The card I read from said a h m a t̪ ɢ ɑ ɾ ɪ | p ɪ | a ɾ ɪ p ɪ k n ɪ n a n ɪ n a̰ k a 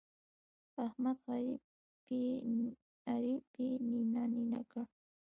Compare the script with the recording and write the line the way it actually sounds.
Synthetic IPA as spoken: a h m a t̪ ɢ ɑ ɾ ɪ | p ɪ | a ɾ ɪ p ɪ n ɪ n a n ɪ n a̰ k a